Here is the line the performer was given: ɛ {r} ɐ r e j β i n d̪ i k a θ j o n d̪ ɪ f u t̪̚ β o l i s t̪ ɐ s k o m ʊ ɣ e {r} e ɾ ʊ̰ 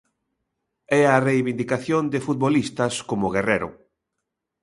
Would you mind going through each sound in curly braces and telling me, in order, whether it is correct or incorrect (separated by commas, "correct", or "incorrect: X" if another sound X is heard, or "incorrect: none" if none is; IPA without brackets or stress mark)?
incorrect: none, correct